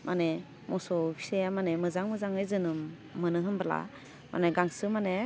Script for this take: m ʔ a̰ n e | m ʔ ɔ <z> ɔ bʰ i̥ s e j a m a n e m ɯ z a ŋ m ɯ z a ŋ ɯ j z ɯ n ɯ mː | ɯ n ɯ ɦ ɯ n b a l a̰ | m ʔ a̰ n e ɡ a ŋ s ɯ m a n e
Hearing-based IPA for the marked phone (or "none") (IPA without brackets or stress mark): s